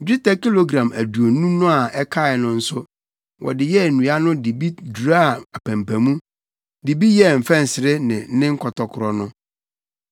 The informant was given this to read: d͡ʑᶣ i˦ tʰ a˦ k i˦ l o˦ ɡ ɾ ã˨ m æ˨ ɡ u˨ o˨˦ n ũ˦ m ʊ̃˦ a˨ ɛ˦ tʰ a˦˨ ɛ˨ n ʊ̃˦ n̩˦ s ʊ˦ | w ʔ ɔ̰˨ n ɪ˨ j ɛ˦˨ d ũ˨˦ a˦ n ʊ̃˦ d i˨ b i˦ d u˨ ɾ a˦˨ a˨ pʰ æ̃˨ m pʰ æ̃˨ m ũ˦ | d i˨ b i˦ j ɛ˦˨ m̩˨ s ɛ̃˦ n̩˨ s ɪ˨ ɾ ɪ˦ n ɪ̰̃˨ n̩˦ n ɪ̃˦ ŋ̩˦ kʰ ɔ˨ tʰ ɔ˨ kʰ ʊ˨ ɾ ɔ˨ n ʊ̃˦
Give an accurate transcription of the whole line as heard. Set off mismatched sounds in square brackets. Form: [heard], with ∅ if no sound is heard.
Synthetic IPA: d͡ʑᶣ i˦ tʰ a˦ k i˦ l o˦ ɡ ɾ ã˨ m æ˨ [d] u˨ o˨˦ n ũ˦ [n] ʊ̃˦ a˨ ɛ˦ [kʰ] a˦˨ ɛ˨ n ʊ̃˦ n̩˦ s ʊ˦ | w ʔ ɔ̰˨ [d] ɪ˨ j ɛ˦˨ [n] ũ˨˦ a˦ n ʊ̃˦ d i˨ b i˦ d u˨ ɾ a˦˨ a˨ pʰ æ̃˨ m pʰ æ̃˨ m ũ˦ | d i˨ b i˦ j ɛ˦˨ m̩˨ [f] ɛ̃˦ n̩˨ s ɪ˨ ɾ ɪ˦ n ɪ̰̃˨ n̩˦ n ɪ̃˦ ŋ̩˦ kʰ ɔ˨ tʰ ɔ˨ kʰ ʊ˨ ɾ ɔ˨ n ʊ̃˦